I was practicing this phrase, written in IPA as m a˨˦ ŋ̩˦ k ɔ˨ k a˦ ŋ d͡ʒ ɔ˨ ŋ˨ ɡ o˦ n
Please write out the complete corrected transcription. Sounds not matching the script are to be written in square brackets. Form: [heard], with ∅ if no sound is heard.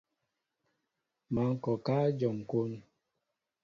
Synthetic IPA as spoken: m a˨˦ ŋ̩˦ k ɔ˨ k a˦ [∅] d͡ʒ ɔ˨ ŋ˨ [k] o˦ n